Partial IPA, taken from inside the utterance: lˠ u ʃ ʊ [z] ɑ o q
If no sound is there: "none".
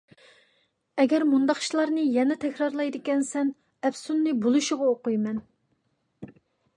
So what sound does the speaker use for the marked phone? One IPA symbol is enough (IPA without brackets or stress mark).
ʁ